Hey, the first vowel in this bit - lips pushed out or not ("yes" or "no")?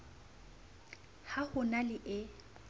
no